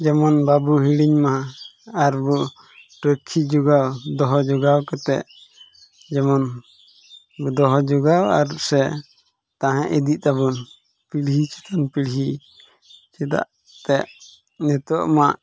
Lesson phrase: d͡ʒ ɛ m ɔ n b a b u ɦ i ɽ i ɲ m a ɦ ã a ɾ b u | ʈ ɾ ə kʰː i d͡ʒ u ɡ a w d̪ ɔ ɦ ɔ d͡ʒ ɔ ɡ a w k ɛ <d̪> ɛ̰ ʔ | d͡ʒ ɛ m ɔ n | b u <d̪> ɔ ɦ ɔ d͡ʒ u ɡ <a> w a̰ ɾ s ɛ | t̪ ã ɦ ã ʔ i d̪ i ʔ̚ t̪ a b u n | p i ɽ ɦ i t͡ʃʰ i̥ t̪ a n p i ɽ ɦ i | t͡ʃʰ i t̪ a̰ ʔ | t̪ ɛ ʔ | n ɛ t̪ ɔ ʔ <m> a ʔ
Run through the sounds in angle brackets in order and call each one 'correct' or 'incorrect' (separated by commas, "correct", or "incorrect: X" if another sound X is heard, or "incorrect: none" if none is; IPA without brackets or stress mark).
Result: incorrect: t̪, correct, correct, correct